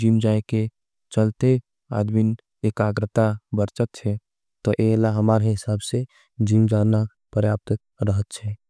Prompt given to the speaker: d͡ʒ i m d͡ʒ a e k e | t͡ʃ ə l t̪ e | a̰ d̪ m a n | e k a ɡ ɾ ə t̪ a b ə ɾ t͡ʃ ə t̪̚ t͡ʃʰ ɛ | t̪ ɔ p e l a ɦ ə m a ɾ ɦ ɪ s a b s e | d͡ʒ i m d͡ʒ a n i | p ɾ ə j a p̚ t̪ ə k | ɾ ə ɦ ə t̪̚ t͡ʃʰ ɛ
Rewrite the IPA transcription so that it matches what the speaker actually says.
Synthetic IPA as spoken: d͡ʒ i m d͡ʒ a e k e | t͡ʃ ə l t̪ e | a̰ d̪ m i n | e k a ɡ ɾ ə t̪ a b ə ɾ t͡ʃ ə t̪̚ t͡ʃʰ ɛ | t̪ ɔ ʔ e l a ɦ ə m a ɾ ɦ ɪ s a b s e | d͡ʒ i m d͡ʒ a n a | p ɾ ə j a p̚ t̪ ə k | ɾ ə ɦ ə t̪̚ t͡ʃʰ ɛ